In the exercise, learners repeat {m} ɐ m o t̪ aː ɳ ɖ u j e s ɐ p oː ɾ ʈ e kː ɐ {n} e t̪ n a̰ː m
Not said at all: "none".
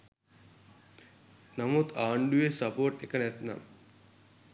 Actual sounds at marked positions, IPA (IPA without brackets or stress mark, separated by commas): n, n